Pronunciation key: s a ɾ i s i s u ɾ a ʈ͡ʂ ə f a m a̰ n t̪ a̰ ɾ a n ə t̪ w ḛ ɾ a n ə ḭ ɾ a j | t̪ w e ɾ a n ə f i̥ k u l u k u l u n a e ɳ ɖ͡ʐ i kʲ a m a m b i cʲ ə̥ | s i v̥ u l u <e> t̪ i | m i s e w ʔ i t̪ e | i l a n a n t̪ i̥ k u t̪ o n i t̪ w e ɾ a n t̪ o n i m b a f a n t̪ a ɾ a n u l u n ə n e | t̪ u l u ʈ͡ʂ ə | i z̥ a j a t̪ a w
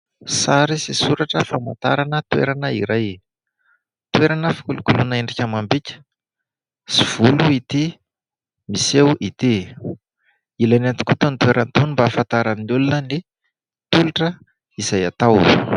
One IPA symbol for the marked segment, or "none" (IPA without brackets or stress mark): i